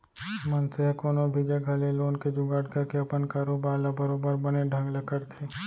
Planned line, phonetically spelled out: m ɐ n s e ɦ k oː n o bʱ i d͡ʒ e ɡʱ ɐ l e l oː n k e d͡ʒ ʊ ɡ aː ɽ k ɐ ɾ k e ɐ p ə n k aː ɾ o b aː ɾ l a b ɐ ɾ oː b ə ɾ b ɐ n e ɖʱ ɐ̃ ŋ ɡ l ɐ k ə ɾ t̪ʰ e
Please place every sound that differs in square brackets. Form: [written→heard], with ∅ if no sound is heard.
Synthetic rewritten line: m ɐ n s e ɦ k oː n o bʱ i d͡ʒ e ɡʱ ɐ l e l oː n k e d͡ʒ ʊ ɡ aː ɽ k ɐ ɾ k e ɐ p ə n k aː ɾ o b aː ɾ l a b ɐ ɾ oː b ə ɾ b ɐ n e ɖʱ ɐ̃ ŋ ɡ l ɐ k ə ɾ t̪ʰ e